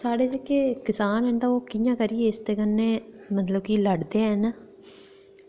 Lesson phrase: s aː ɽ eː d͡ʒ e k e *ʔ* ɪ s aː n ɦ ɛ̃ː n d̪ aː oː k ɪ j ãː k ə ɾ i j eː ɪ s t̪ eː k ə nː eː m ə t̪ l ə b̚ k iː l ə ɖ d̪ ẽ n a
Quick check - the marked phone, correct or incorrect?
incorrect